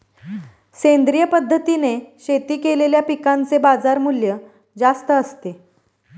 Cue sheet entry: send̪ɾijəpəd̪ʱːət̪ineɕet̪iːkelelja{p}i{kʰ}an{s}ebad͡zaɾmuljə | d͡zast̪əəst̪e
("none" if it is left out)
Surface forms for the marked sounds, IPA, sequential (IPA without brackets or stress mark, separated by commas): p, k, t͡s